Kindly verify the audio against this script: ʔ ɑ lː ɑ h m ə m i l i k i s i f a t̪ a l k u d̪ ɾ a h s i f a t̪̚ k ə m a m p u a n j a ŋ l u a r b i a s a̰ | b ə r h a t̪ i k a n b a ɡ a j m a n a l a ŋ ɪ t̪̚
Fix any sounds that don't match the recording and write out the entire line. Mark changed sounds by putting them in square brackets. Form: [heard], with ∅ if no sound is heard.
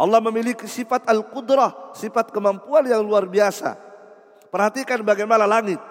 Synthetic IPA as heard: ʔ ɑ lː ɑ h m ə m i l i k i s i f a t̪ a l k u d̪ ɾ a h s i f a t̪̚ k ə m a m p u a n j a ŋ l u a r b i a s a̰ | [p] ə r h a t̪ i k a n b a ɡ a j m a n a l a ŋ ɪ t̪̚